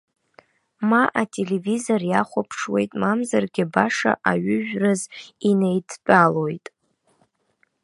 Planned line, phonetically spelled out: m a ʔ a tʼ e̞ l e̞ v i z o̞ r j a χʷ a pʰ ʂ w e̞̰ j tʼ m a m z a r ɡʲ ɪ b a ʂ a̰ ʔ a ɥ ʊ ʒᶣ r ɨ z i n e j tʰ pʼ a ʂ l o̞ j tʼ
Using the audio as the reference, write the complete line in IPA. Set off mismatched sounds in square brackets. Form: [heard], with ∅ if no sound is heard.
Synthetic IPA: m a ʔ a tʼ e̞ l e̞ v i z o̞ r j a χʷ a pʰ ʂ w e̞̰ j tʼ m a m z a r ɡʲ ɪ b a ʂ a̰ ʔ a ɥ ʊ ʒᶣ r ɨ z i n e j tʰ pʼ a [∅] l o̞ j tʼ